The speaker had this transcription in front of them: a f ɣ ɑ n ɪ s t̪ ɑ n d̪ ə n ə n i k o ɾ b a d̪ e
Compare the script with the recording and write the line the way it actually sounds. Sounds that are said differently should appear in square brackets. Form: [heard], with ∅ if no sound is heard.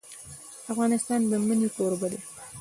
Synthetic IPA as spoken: a f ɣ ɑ n ɪ s t̪ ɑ n d̪ ə [m] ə n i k o ɾ b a d̪ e